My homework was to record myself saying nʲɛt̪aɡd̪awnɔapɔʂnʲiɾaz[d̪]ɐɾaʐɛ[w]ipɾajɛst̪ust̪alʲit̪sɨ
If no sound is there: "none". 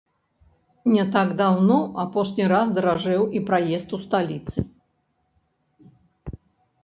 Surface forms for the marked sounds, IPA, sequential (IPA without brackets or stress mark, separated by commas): d̪, w